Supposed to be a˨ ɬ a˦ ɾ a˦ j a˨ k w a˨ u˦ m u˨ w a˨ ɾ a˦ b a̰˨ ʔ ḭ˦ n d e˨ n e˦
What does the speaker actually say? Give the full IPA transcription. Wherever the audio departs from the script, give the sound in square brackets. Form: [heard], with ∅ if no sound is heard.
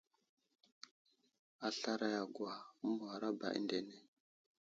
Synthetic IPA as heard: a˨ ɬ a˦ ɾ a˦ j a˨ [ɡ] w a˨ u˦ m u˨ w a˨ ɾ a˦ b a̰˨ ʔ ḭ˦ n d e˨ n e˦